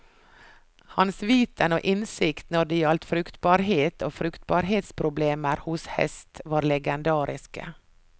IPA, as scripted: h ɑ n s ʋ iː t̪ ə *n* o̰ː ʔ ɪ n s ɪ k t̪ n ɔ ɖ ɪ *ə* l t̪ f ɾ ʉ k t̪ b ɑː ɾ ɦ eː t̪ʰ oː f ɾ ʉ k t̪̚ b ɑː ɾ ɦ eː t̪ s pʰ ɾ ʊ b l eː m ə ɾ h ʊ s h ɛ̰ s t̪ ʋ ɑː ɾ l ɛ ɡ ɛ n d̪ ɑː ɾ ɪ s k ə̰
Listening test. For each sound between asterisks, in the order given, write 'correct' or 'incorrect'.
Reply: correct, incorrect: ɑ

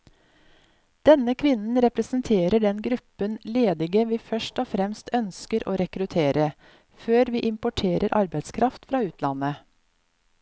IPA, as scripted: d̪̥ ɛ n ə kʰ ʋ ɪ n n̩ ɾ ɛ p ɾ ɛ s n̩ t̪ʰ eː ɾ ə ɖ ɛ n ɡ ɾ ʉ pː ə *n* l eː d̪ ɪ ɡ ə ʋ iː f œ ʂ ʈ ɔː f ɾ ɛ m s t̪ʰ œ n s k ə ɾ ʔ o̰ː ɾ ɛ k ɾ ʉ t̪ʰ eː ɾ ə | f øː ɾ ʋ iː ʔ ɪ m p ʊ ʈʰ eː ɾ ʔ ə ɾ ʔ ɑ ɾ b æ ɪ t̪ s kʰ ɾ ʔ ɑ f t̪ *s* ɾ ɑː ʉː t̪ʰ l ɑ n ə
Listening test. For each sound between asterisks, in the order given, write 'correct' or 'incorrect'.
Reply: correct, incorrect: f

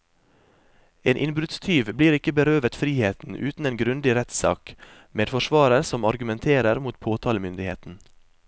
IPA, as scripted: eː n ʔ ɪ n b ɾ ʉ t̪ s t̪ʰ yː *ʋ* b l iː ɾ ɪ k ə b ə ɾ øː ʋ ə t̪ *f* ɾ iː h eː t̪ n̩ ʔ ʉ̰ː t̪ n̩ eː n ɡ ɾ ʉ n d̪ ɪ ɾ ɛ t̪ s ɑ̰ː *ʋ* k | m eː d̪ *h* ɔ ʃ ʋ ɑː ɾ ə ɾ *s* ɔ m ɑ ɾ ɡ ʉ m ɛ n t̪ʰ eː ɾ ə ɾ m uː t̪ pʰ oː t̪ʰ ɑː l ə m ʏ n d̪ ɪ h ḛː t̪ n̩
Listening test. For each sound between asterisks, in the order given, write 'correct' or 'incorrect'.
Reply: correct, correct, incorrect: none, incorrect: f, correct

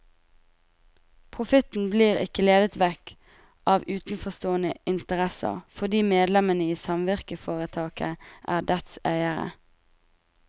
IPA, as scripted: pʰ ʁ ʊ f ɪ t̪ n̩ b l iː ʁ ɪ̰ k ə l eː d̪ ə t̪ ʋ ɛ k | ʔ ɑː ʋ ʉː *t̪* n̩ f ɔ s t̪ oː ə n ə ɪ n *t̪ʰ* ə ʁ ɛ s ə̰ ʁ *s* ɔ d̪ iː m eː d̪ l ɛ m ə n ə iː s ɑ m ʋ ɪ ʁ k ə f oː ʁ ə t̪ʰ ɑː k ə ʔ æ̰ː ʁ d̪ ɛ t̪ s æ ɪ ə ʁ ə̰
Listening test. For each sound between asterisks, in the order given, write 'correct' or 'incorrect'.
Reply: correct, incorrect: t̪, incorrect: f

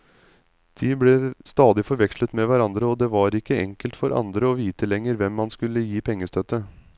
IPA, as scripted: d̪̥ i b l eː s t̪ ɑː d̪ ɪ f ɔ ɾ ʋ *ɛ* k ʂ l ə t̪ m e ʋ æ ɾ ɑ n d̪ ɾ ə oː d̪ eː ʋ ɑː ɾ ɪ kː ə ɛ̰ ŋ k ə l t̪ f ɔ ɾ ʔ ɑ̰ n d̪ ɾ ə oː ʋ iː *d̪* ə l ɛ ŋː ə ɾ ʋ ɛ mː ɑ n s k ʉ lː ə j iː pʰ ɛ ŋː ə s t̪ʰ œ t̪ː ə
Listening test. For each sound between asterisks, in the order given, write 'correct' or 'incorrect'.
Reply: correct, incorrect: t̪

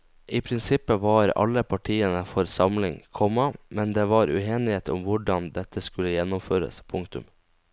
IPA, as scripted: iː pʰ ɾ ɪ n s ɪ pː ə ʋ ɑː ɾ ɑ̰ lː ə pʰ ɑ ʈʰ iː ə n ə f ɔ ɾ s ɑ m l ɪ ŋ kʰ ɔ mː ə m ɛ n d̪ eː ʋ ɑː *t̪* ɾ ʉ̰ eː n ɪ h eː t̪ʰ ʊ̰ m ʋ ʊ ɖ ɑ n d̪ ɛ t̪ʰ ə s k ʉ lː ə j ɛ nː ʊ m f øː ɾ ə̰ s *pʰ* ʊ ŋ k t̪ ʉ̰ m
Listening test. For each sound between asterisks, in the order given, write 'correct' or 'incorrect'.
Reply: incorrect: none, correct

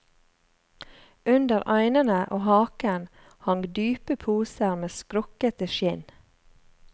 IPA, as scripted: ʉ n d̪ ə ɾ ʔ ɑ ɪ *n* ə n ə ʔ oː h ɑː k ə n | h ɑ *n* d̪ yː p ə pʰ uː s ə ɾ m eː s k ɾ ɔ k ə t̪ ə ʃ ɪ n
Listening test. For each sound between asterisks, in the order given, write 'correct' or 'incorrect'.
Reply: correct, incorrect: ŋ

